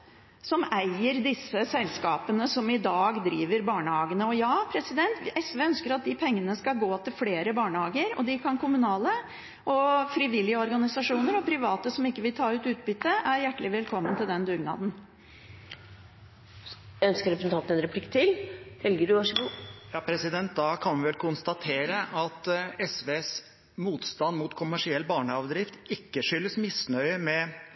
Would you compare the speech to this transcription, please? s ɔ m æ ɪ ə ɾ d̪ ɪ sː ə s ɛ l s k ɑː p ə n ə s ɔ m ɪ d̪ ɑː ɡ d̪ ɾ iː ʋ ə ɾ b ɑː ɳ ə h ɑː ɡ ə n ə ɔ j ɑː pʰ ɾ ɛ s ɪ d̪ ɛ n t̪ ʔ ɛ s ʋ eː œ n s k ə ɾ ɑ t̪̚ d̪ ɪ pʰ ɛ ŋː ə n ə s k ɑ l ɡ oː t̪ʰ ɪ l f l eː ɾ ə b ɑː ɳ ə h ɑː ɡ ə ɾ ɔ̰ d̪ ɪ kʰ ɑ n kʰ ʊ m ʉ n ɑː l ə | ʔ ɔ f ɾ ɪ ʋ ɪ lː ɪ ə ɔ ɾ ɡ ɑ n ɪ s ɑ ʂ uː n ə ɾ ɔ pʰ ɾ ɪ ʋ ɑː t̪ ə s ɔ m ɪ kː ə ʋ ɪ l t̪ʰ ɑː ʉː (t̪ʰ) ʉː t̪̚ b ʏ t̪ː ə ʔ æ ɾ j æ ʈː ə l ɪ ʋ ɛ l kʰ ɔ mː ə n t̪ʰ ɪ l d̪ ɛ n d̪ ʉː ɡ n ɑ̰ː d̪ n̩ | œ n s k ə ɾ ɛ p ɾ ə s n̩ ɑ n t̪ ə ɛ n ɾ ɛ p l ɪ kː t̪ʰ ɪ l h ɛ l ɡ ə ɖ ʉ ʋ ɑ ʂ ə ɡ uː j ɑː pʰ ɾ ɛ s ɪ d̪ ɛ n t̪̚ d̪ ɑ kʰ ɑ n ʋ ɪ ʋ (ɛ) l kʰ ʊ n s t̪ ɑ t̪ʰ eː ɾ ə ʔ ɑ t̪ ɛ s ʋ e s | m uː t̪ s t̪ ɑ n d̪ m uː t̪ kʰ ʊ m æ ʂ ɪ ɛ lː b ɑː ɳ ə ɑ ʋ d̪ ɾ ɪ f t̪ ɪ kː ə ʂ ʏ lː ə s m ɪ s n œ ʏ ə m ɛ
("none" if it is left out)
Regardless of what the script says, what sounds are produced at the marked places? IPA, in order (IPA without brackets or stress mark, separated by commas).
t̪, ɛ